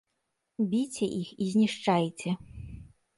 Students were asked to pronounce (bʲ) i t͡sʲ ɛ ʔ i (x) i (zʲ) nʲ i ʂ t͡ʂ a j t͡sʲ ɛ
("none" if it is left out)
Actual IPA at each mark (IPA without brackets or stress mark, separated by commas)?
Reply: bʲ, x, zʲ